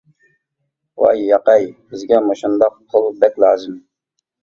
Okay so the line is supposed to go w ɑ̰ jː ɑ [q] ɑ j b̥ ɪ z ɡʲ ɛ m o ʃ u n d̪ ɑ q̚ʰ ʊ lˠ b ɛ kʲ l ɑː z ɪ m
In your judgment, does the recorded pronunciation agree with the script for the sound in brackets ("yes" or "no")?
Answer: yes